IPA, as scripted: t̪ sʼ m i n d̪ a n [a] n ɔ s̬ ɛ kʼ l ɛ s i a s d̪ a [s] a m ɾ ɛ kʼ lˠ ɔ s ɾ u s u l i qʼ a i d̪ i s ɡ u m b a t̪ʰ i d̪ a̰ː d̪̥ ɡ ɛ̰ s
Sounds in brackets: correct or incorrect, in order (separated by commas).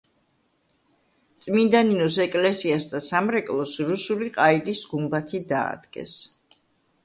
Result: incorrect, correct